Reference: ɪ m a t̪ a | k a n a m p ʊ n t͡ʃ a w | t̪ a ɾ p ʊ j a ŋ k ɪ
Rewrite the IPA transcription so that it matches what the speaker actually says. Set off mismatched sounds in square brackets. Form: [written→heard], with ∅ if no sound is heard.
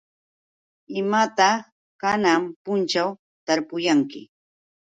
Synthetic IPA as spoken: ɪ m a t̪ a | k a n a m p ʊ n t͡ʃ a w | t̪ a ɾ p ʊ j a ŋ k ɪ